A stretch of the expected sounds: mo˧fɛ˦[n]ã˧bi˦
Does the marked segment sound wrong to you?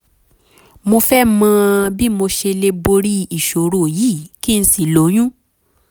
yes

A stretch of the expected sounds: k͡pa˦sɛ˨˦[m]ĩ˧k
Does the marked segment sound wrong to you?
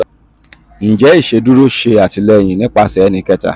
yes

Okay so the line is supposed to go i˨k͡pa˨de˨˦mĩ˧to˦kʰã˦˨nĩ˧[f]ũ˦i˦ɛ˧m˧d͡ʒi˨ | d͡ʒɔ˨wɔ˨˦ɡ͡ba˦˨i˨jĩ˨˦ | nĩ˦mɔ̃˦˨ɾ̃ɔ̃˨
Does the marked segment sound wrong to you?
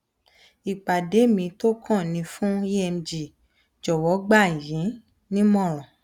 no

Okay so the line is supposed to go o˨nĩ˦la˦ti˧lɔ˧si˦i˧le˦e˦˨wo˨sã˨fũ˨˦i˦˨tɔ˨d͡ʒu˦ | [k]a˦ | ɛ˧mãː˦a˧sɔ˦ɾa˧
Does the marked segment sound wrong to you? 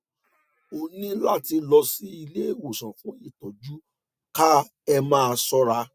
no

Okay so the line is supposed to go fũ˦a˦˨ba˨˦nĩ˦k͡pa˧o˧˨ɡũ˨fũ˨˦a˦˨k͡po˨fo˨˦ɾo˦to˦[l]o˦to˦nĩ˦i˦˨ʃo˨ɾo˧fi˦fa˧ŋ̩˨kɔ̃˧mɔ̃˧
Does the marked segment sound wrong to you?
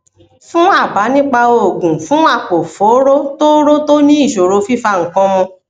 yes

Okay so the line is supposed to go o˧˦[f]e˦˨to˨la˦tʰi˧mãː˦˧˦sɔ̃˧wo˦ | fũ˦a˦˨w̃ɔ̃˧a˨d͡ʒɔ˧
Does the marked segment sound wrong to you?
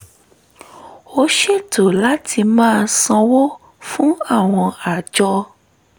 yes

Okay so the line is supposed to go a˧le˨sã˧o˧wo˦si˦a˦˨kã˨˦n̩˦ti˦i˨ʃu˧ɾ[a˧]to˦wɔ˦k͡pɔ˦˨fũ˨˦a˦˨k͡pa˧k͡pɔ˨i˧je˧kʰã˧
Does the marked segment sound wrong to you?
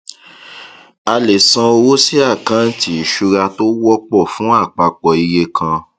no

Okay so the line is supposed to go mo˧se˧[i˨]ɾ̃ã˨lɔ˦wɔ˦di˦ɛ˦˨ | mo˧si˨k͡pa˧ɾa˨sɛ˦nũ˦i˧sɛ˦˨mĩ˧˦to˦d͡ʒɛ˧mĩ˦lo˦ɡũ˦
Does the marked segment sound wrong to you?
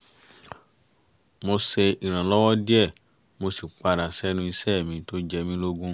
no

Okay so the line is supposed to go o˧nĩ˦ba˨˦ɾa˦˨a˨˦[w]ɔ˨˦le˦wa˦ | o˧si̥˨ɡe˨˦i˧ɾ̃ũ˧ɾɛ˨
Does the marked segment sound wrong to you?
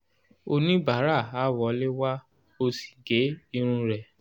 no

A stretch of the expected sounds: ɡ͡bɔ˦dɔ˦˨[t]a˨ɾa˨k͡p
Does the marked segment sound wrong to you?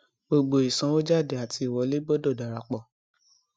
yes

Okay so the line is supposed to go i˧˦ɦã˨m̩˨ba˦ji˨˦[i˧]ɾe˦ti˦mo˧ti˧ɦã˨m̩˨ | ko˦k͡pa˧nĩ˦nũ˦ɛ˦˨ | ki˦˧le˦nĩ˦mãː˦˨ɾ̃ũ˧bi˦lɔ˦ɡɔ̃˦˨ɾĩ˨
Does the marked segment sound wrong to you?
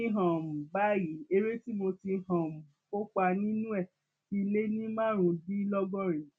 yes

